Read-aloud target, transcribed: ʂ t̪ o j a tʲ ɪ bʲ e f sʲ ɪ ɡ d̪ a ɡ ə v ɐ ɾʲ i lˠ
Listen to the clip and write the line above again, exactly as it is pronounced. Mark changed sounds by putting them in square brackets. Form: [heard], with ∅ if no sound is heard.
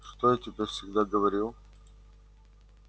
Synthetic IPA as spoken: ʂ t̪ o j a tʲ ɪ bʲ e f sʲ ɪ ɡ d̪ a ɡ ə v ɐ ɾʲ i lˠ